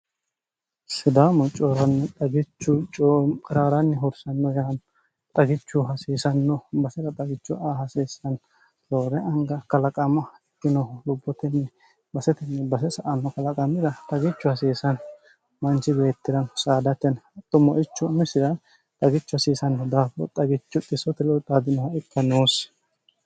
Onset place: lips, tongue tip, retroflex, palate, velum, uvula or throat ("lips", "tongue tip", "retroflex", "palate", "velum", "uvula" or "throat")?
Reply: tongue tip